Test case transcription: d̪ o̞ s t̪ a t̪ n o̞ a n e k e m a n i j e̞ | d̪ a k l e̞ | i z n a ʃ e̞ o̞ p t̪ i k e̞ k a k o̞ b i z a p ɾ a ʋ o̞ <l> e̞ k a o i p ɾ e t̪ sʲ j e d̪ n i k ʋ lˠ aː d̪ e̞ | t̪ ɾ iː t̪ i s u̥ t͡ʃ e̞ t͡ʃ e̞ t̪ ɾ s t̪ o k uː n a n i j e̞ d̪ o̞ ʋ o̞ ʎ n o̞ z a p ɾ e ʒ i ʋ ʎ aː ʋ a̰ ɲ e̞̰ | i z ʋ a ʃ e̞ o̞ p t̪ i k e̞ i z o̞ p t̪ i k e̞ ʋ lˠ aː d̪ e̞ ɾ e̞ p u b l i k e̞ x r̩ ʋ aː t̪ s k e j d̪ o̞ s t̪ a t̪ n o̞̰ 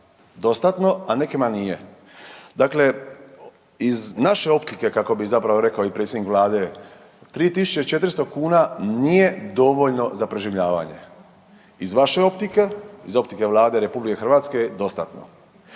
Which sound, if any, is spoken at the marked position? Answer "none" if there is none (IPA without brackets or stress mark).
ɾ